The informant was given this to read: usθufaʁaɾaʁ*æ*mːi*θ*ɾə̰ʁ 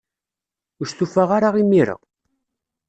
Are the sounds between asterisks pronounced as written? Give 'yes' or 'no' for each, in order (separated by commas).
no, no